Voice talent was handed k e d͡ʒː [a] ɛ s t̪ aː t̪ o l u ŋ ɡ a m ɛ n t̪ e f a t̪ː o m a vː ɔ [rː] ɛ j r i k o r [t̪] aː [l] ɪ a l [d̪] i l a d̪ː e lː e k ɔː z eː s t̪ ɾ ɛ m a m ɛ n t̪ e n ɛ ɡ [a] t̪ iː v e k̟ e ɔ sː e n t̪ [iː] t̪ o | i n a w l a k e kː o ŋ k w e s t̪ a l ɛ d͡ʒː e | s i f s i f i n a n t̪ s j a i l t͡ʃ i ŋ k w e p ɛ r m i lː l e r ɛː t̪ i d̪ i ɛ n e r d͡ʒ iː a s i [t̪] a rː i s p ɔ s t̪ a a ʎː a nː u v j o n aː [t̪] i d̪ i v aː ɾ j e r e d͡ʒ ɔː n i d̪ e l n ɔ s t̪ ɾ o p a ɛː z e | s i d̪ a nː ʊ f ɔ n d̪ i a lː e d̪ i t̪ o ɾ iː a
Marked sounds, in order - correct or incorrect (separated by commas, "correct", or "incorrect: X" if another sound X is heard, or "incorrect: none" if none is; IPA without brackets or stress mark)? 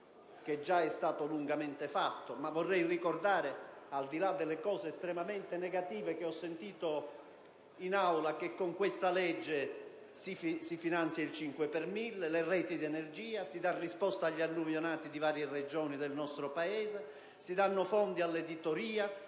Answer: correct, correct, incorrect: d̪, incorrect: ɾ, correct, correct, correct, incorrect: d̪, correct